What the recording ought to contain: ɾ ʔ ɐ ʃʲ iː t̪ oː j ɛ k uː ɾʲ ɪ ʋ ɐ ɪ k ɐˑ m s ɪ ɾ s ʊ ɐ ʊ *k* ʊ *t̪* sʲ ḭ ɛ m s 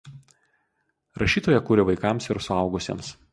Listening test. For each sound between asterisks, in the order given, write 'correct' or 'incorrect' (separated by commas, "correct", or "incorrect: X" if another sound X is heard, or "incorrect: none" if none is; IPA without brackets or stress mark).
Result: incorrect: ɡ, incorrect: none